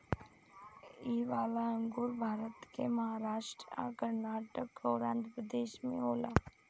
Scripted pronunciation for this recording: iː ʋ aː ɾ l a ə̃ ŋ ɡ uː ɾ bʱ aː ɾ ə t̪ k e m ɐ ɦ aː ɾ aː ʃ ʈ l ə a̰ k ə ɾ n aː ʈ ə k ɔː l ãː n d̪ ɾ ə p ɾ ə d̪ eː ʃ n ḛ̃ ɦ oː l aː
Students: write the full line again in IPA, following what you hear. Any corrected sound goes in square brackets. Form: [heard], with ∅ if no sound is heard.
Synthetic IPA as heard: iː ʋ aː [∅] l a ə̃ ŋ ɡ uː ɾ bʱ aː ɾ ə t̪ k e m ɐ ɦ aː ɾ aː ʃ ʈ [ɾ] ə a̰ k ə ɾ n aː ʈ ə k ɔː [ɾ] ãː n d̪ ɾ ə p ɾ ə d̪ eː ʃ [m] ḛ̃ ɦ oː l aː